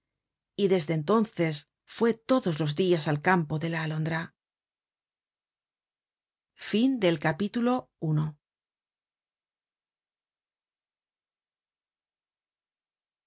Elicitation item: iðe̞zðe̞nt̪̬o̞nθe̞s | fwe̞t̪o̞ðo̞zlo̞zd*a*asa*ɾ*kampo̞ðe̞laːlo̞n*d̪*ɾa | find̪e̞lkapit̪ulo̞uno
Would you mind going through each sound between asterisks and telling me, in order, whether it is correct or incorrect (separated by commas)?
incorrect, incorrect, correct